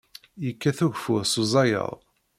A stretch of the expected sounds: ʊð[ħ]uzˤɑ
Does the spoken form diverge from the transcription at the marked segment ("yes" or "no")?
yes